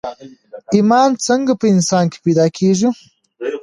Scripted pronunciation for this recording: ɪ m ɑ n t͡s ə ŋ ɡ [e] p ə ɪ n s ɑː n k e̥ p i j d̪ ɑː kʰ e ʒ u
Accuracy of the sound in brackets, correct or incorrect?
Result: incorrect